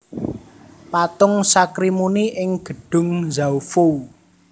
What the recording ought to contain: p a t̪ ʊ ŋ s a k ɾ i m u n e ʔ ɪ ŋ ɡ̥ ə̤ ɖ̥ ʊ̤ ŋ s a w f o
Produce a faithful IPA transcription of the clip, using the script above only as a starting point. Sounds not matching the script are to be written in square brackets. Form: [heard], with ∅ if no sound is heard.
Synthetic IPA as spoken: p a t̪ ʊ ŋ s a k ɾ i m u n [i] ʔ ɪ ŋ ɡ̥ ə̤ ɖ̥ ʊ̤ ŋ [z] a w f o